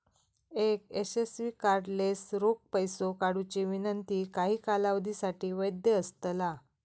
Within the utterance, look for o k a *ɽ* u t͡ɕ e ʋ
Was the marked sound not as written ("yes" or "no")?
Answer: no